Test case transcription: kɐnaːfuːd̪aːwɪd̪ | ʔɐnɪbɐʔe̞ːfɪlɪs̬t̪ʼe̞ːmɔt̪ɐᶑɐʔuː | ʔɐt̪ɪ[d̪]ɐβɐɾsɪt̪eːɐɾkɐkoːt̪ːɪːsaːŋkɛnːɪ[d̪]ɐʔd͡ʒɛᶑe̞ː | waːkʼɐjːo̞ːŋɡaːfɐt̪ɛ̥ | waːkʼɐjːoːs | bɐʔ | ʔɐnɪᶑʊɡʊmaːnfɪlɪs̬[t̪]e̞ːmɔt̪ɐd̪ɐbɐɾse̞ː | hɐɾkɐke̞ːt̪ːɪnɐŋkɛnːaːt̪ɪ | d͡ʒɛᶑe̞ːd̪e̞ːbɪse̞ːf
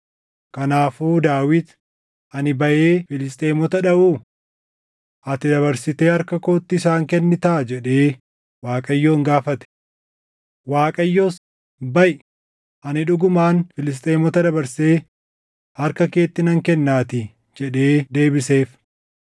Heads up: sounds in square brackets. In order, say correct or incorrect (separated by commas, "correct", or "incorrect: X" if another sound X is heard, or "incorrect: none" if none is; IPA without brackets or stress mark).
correct, incorrect: t̪, incorrect: t̪ʼ